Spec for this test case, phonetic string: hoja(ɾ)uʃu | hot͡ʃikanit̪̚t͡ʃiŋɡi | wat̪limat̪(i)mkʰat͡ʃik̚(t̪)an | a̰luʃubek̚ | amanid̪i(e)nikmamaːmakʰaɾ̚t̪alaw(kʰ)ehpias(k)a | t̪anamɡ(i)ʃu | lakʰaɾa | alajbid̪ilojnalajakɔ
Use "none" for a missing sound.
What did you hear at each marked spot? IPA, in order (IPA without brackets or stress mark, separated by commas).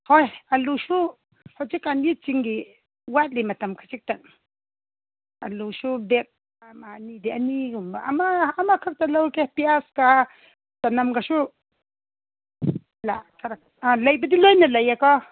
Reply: l, a, t̪, a, k, k, a